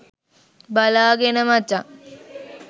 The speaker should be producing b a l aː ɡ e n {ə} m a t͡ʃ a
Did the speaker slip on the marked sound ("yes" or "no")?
no